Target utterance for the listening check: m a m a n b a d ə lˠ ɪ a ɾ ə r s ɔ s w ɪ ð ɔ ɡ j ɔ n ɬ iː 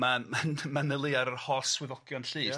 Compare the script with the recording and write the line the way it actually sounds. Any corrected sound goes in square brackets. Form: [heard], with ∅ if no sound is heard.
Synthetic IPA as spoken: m a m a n [m] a [n] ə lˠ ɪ a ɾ ə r [h] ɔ s w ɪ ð ɔ ɡ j ɔ n ɬ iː